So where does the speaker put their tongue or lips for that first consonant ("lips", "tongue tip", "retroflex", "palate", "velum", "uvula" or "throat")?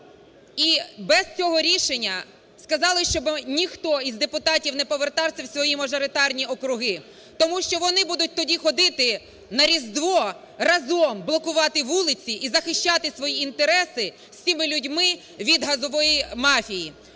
lips